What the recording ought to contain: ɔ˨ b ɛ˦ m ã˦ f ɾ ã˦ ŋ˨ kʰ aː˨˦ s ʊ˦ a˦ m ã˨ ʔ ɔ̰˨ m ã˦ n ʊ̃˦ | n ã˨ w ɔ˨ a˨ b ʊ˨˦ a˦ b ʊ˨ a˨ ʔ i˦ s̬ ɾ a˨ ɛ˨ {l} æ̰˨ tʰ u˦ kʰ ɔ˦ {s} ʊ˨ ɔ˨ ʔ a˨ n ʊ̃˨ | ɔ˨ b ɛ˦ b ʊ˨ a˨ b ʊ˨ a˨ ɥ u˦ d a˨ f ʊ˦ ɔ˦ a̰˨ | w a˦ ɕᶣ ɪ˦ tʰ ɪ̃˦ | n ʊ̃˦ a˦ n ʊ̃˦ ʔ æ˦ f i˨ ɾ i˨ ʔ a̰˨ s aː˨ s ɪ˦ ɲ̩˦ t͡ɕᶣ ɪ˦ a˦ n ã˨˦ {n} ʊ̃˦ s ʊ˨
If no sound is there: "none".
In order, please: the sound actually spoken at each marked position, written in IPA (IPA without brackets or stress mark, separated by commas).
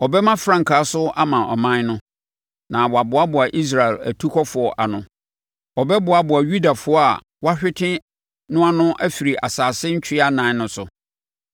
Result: l, f, n